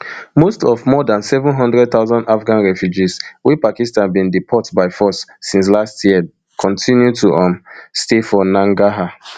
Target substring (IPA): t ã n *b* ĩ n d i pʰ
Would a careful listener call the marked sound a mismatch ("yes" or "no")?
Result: no